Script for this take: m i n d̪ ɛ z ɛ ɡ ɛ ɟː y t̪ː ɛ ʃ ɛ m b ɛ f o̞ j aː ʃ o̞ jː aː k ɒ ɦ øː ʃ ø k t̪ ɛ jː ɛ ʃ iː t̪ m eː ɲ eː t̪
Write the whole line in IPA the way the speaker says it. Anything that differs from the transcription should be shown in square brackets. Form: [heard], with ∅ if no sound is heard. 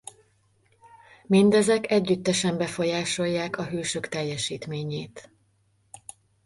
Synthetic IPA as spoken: m i n d̪ ɛ z ɛ [k] ɛ ɟː y t̪ː ɛ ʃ ɛ m b ɛ f o̞ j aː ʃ o̞ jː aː k ɒ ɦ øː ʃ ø k t̪ ɛ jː ɛ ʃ iː t̪ m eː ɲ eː t̪